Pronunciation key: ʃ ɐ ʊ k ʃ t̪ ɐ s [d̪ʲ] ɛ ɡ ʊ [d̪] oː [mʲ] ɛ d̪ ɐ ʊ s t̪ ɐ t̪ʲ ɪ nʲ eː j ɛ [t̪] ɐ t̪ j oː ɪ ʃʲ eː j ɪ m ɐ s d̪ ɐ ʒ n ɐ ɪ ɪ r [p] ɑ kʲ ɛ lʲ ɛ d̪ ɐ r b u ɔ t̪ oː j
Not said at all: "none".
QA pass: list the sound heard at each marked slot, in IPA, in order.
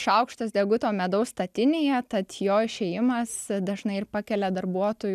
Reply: d̪ʲ, t̪, mʲ, t̪, p

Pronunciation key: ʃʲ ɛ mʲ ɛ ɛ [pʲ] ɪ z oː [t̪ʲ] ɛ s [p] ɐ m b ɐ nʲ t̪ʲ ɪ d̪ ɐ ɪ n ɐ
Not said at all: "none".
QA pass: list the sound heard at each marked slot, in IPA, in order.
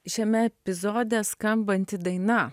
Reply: pʲ, d̪ʲ, k

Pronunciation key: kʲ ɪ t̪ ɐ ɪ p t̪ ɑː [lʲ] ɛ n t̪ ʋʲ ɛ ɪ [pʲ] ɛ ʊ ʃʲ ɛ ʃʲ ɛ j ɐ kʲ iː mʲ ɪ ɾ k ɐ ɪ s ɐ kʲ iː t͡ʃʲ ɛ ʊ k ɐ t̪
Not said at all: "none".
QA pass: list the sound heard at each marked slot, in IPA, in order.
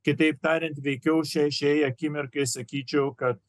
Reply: ɾʲ, kʲ

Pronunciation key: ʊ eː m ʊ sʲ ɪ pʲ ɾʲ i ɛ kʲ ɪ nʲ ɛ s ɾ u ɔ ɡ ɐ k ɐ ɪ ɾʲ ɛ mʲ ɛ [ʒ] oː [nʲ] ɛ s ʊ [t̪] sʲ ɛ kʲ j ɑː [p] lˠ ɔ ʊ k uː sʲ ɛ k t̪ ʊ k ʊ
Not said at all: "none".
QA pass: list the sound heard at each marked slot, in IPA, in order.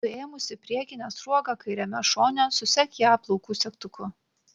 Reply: ʃ, nʲ, none, p

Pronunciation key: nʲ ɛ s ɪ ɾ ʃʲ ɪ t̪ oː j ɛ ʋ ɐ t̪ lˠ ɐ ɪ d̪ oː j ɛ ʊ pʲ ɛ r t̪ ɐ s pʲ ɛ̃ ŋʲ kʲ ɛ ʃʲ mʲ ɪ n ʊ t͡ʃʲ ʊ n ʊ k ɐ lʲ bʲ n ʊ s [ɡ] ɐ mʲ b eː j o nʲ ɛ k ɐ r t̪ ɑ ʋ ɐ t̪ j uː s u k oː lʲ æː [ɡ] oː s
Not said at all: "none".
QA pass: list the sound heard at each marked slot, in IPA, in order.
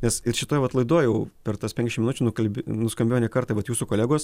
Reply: k, ɡ

